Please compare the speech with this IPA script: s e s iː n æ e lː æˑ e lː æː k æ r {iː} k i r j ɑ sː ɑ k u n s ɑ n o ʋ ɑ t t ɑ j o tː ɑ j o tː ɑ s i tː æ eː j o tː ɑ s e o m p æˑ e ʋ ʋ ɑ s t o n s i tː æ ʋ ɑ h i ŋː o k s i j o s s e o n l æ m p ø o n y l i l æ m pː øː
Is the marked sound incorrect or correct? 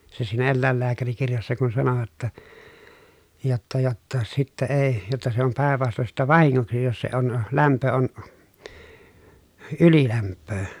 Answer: incorrect